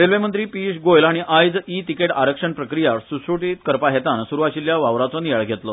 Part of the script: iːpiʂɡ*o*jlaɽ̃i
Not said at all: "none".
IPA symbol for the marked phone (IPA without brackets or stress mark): o